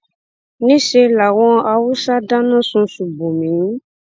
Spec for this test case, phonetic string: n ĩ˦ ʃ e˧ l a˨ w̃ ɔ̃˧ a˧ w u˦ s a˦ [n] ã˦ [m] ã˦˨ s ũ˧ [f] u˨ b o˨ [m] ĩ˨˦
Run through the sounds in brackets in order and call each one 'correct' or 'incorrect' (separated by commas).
incorrect, incorrect, incorrect, correct